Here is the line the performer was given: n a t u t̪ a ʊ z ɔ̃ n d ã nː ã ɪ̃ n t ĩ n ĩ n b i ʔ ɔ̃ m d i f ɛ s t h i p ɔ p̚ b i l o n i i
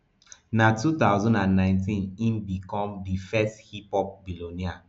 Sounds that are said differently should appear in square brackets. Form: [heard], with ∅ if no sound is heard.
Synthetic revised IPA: n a t u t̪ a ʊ z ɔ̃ n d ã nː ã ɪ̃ n t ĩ n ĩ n b i [k] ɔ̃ m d i f ɛ s t h i p ɔ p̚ b i l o n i [a]